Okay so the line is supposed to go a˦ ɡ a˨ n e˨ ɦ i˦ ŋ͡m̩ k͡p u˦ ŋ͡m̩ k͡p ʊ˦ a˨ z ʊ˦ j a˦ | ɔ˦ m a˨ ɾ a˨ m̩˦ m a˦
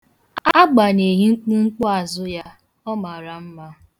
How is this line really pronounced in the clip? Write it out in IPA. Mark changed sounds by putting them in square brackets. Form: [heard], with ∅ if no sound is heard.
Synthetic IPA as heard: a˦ [ɡ͡b] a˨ n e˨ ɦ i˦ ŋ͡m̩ k͡p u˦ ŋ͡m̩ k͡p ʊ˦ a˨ z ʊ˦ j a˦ | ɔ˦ m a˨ ɾ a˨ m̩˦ m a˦